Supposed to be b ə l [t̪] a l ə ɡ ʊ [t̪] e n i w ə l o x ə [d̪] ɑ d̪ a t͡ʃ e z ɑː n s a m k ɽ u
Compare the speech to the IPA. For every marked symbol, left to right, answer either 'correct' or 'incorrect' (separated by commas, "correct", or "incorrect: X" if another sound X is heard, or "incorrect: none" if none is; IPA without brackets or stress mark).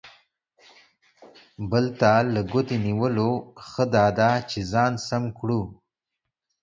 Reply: correct, correct, correct